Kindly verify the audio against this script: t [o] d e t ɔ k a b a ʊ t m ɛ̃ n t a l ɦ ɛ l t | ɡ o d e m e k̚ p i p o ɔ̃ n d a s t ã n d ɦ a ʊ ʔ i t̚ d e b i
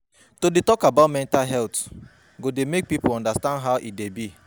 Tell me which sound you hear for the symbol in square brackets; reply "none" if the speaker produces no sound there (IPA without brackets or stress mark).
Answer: o